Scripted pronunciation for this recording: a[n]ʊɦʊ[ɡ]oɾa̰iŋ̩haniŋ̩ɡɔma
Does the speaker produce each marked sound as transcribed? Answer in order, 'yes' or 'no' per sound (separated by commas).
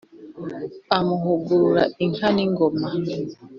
no, yes